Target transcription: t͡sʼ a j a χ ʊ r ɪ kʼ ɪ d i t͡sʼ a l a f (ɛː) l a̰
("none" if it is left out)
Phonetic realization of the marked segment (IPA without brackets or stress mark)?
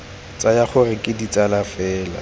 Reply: ɛː